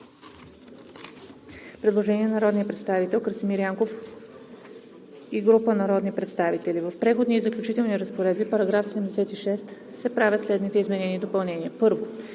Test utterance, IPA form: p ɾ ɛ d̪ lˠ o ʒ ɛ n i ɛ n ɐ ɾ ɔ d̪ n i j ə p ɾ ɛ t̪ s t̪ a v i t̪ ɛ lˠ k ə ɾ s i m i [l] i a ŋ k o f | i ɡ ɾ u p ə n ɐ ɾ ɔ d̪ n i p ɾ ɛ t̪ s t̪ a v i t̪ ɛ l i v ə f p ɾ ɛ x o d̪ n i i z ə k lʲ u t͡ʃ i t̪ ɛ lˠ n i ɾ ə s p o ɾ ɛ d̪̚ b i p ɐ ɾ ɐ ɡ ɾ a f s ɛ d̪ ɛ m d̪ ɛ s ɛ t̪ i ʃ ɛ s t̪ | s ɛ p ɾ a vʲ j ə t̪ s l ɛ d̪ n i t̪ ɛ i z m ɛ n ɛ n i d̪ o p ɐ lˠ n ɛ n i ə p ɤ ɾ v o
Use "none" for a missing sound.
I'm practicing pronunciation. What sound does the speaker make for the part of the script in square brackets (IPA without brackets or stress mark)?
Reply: ɾ